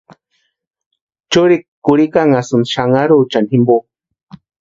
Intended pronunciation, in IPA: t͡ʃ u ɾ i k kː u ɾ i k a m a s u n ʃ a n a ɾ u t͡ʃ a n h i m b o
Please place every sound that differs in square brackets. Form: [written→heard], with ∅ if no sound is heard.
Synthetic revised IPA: t͡ʃ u ɾ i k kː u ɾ i k a [m→ŋ] a s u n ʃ a [n→ŋ] a ɾ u t͡ʃ a n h i m b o